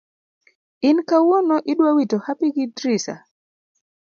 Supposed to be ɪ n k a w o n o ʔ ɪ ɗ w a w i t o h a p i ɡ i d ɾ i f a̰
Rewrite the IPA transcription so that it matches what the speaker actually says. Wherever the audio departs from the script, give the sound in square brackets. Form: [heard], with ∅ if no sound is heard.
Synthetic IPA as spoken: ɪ n k a w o n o ʔ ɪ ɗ w a w i t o h a p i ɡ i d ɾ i [s] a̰